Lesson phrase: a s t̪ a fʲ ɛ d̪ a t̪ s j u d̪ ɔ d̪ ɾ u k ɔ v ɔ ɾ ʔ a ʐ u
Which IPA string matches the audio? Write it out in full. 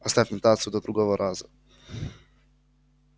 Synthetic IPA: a s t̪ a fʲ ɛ t̪ a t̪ s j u d̪ ɔ d̪ ɾ u ɡ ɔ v ɔ ɾ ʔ a z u